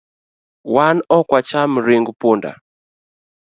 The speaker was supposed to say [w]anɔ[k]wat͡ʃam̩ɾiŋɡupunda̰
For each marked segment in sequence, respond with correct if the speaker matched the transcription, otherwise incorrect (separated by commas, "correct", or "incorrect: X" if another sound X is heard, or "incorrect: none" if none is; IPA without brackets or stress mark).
correct, correct